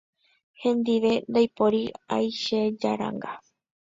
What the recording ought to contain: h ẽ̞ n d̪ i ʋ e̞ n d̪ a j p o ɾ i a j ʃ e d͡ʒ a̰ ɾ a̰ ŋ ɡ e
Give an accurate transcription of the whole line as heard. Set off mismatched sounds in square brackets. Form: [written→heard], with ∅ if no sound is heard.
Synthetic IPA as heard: h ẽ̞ n d̪ i ʋ e̞ n d̪ a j p o ɾ i a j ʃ e d͡ʒ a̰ ɾ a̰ ŋ ɡ [e→a]

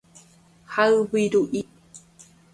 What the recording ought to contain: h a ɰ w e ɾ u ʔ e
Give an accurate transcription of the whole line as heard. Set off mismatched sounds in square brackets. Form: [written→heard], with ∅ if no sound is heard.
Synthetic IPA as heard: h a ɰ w [e→i] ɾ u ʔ [e→i]

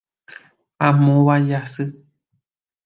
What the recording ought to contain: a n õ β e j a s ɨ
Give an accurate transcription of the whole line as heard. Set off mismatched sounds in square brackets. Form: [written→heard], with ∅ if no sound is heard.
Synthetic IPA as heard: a [n→m] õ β [e→a] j a s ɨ

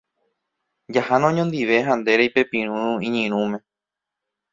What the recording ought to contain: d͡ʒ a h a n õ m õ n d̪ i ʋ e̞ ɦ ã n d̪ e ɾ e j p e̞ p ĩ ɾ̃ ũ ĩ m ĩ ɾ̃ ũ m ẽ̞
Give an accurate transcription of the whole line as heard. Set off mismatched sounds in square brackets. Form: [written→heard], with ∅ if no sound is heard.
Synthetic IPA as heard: d͡ʒ a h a n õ [m→ɲ] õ n d̪ i ʋ e̞ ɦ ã n d̪ e ɾ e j p e̞ p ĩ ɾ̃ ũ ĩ [m→ɲ] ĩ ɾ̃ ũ m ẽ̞

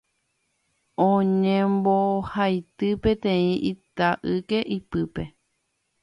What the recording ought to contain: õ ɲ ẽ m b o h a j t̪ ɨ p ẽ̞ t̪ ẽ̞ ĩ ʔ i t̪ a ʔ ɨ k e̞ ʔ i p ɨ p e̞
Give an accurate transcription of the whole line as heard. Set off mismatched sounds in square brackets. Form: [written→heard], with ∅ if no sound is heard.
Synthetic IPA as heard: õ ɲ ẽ m b o h a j t̪ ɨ p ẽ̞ t̪ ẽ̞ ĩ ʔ i t̪ a ʔ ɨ k e̞ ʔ i p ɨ p e̞

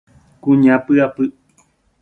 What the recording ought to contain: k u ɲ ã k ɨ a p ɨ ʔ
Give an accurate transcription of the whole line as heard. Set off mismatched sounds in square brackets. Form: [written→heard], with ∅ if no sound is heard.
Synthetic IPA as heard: k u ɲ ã [k→p] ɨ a p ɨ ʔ

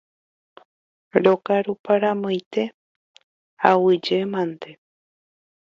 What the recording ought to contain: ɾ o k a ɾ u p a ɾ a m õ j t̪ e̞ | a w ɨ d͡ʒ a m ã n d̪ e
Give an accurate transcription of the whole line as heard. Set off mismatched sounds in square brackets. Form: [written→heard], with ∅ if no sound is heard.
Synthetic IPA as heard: ɾ o k a ɾ u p a ɾ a m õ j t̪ e̞ | a w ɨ d͡ʒ [a→e] m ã n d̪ e

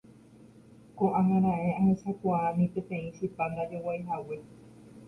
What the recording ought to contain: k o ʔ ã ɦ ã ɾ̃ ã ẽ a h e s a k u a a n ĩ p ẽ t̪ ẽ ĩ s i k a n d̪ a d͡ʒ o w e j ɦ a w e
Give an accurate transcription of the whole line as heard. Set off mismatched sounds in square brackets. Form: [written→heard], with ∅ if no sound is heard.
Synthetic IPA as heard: k o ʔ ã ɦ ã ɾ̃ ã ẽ a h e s a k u a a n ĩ p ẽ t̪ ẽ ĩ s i [k→p] a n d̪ a d͡ʒ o w [e→a] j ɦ a w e

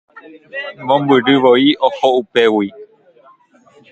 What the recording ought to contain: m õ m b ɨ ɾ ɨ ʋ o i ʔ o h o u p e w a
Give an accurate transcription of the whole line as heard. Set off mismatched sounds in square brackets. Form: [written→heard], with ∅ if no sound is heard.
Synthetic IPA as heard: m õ m b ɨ ɾ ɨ ʋ o i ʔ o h o u p e w [a→i]

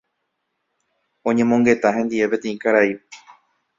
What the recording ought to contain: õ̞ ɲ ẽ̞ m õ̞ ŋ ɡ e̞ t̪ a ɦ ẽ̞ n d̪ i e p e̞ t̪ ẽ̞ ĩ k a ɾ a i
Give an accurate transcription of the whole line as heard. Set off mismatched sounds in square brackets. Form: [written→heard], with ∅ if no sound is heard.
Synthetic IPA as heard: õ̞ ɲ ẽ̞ m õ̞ ŋ ɡ e̞ t̪ a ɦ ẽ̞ n d̪ i e p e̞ t̪ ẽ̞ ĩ k a ɾ a i

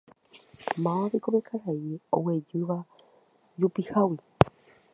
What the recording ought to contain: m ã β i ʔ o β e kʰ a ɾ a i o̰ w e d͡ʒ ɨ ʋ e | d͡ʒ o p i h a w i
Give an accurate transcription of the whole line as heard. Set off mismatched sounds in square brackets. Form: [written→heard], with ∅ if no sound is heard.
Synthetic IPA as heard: m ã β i [ʔ→k] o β e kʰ a ɾ a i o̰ w e d͡ʒ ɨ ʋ [e→a] | d͡ʒ [o→u] p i h a w i

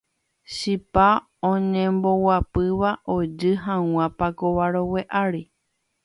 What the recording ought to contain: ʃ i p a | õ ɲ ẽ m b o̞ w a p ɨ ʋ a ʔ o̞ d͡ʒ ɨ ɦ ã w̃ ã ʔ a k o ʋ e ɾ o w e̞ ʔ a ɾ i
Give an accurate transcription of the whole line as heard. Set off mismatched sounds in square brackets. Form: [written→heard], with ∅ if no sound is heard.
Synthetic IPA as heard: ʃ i p a | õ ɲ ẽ m b o̞ w a p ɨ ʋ a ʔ o̞ d͡ʒ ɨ ɦ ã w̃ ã [ʔ→p] a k o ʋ [e→a] ɾ o w e̞ ʔ a ɾ i

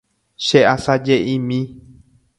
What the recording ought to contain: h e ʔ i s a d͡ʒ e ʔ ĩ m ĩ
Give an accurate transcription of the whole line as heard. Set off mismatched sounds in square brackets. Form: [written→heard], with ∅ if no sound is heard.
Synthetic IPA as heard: [h→ʃ] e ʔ [i→a] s a d͡ʒ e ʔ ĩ m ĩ

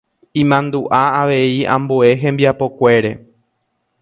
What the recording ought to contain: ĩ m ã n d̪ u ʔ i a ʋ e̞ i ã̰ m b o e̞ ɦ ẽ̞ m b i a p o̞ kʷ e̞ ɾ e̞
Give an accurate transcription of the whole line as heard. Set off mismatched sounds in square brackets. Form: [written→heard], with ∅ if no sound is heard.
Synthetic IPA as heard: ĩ m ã n d̪ u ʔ [i→a] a ʋ e̞ i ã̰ m b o e̞ ɦ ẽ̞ m b i a p o̞ kʷ e̞ ɾ e̞

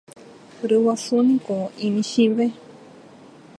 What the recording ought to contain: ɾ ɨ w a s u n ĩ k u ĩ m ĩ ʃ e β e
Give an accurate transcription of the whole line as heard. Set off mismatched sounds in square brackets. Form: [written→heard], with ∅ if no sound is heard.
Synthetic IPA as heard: ɾ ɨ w a s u n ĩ k [u→o] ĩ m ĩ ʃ [e→i] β e

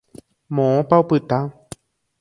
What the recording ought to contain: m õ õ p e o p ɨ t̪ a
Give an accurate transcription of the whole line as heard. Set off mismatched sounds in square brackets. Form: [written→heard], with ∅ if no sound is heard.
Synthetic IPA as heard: m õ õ p [e→a] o p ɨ t̪ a

